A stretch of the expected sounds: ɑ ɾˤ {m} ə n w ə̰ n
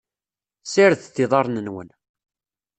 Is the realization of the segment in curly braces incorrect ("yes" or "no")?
yes